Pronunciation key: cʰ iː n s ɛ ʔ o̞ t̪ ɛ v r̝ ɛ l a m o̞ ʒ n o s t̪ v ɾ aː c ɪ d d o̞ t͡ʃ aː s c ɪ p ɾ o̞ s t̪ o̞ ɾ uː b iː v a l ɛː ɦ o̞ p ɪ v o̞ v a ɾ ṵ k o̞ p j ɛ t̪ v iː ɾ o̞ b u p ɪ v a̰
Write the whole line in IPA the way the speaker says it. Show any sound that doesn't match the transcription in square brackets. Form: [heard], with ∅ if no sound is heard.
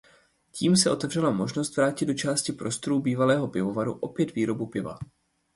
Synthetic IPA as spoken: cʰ iː [m] s ɛ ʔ o̞ t̪ ɛ v r̝ ɛ l a m o̞ ʒ n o s t̪ v ɾ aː c ɪ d d o̞ t͡ʃ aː s c ɪ p ɾ o̞ s t̪ o̞ ɾ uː b iː v a l ɛː ɦ o̞ p ɪ v o̞ v a ɾ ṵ [ʔ] o̞ p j ɛ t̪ v iː ɾ o̞ b u p ɪ v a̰